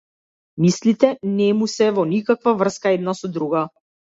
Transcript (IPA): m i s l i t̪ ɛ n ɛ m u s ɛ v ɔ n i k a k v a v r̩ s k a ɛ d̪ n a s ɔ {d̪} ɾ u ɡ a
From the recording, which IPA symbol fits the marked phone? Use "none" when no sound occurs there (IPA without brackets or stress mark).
d̪